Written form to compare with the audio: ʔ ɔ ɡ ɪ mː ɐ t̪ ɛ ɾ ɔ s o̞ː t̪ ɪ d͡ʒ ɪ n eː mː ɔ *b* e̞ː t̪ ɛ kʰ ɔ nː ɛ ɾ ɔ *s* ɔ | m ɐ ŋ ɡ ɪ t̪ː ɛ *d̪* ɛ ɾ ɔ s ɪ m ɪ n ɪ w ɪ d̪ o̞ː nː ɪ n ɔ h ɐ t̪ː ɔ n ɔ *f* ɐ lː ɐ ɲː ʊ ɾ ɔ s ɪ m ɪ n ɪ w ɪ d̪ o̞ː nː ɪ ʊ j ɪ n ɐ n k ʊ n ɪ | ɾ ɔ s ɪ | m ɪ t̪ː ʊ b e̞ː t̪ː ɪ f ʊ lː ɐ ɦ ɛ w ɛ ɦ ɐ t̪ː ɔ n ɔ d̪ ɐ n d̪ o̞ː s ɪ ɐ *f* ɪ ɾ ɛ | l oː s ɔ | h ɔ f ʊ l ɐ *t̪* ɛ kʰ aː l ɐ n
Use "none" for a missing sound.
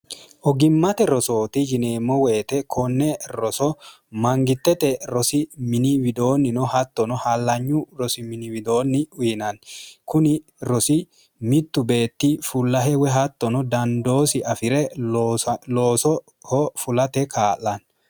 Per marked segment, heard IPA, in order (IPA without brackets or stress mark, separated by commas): w, s, t̪, h, f, t̪